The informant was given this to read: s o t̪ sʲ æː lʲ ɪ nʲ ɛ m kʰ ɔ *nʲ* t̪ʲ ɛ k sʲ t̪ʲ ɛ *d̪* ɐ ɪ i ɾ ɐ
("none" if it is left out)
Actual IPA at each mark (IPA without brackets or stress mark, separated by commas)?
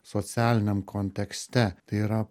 nʲ, t̪